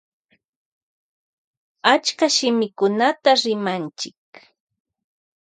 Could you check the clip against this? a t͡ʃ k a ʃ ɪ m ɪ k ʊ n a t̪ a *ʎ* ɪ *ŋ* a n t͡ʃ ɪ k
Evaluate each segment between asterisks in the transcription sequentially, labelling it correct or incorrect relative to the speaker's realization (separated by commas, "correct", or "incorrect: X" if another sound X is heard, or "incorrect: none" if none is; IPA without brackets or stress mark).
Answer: incorrect: ɾ, incorrect: m